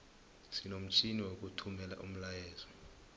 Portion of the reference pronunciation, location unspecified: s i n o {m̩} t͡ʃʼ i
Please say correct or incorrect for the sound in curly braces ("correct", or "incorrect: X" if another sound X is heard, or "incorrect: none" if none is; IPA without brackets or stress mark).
correct